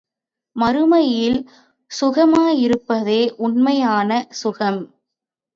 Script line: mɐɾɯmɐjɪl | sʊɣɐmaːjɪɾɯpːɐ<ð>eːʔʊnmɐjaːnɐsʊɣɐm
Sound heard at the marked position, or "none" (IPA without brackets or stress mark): ð